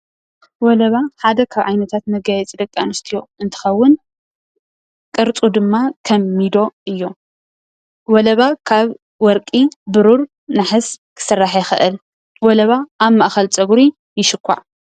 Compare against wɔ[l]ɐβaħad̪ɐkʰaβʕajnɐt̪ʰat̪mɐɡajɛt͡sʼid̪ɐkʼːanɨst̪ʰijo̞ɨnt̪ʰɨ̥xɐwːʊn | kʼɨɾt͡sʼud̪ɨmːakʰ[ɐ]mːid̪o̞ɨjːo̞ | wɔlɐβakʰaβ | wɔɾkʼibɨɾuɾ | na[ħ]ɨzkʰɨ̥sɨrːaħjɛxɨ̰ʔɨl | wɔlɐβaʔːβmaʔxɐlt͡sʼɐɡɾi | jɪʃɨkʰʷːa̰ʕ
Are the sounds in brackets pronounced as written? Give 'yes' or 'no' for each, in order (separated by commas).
yes, yes, yes